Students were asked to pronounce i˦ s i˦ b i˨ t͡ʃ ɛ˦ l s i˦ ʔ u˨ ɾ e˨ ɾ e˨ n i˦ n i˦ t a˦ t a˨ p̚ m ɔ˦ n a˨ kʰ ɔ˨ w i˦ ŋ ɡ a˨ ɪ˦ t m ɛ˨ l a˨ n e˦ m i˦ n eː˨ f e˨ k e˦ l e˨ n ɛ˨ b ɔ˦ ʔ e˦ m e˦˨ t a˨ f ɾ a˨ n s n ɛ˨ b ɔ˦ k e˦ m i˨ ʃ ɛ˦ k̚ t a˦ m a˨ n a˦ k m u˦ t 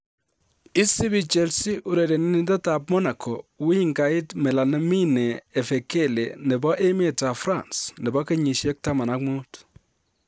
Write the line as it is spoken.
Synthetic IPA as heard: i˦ s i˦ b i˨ t͡ʃ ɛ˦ l s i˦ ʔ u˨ ɾ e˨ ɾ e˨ n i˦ n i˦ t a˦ t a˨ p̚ m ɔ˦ n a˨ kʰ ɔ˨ w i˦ ŋ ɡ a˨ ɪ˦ t m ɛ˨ l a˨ n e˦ m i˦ n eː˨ f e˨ k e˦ l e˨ n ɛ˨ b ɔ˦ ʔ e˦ m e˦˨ t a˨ f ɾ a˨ n s n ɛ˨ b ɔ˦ k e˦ ɲ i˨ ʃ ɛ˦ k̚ t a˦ m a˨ n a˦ k m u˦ t

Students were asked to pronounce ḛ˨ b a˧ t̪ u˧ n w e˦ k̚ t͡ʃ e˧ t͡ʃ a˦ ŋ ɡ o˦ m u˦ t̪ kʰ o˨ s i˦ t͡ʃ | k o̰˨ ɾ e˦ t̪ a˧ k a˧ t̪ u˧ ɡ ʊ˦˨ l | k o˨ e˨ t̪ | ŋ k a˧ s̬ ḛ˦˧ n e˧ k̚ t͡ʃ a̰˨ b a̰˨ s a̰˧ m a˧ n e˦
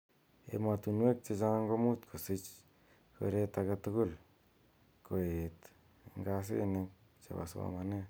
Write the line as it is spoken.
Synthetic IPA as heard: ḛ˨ m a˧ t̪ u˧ n w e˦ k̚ t͡ʃ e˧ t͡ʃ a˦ ŋ ɡ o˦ m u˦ t̪ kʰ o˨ s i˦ t͡ʃ | k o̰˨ ɾ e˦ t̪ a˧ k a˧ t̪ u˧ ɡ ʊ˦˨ l | k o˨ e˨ t̪ | ŋ ɡ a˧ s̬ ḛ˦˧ n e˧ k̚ t͡ʃ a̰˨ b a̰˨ s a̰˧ m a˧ n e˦

